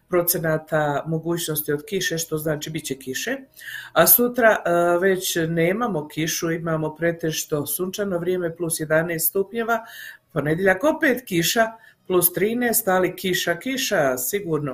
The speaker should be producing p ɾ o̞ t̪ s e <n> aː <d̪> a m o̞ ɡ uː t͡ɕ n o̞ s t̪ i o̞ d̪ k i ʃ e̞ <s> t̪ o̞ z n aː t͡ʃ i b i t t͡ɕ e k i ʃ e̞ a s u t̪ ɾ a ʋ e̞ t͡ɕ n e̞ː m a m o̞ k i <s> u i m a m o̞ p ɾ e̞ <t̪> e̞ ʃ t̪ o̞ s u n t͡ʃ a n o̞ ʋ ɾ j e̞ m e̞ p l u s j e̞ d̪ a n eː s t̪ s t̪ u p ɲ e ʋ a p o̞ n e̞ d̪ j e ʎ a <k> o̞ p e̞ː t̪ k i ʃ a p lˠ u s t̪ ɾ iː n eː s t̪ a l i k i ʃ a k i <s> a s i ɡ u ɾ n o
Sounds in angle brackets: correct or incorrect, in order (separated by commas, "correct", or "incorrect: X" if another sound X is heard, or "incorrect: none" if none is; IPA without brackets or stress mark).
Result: correct, incorrect: t̪, incorrect: ʃ, incorrect: ʃ, correct, correct, incorrect: ʃ